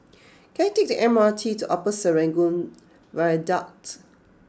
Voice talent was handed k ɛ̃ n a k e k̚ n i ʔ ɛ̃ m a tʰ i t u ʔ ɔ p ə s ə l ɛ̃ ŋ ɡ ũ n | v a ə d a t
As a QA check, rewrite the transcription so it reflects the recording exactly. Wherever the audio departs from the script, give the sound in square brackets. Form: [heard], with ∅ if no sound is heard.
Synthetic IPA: k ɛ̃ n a [t] e k̚ [d] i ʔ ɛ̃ m a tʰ i t u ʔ ɔ p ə s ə [ɹ] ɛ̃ ŋ ɡ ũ n | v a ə d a t

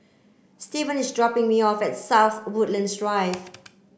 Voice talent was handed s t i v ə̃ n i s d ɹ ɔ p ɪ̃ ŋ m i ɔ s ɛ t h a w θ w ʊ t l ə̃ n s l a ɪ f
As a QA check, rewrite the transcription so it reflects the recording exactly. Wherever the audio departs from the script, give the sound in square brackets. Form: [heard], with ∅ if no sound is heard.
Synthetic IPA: s t i v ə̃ n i s d ɹ ɔ p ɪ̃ ŋ m i ɔ [f] ɛ t [s] a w θ w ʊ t l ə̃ n s [ɹ] a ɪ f

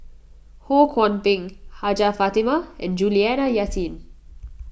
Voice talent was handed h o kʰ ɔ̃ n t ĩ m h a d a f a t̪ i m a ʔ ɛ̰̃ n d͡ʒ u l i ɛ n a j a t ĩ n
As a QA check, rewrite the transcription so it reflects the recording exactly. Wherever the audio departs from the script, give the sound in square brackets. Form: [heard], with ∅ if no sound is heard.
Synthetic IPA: h o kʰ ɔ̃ n [p] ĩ [ŋ] h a [d͡ʒ] a f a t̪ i m a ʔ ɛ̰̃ n d͡ʒ u l i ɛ n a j a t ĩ n

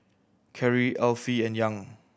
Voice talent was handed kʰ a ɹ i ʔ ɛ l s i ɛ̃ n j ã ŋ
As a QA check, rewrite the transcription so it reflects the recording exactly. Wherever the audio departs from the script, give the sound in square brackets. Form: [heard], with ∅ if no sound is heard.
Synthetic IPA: kʰ [ɛ] ɹ i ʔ ɛ l [f] i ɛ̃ n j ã ŋ

